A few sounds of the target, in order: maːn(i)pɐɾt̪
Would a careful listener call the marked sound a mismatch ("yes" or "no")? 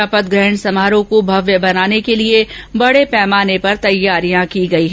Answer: yes